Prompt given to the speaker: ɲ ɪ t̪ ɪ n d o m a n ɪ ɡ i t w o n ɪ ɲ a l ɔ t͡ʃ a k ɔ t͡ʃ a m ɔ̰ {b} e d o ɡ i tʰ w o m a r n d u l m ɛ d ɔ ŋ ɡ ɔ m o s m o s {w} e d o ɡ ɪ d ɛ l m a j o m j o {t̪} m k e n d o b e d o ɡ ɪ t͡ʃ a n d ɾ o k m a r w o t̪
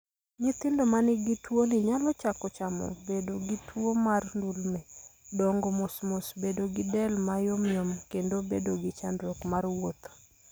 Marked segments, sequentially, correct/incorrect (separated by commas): correct, incorrect, incorrect